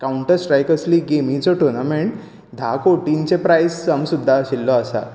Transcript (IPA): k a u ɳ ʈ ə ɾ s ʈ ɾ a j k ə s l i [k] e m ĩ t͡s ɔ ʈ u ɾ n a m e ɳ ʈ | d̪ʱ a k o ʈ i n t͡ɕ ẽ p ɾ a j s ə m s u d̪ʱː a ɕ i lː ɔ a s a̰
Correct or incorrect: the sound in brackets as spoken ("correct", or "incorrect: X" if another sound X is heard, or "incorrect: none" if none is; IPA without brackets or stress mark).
incorrect: ɡ